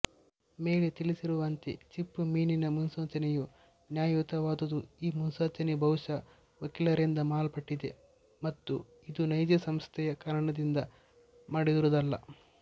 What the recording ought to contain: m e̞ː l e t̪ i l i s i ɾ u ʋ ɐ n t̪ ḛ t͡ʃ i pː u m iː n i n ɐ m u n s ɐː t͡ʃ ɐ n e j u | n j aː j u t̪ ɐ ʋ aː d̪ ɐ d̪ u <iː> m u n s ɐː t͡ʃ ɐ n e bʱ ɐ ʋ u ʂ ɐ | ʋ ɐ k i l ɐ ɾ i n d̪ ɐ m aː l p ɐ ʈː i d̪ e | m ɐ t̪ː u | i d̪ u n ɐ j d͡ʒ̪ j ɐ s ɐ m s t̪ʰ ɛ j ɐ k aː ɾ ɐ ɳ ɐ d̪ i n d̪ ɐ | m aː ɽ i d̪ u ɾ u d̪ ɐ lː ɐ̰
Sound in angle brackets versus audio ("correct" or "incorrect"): correct